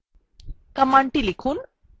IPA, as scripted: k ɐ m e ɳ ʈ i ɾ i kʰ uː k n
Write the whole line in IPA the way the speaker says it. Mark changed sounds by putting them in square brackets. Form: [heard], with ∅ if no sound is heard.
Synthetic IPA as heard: k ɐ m [a] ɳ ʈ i [l] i kʰ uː [∅] n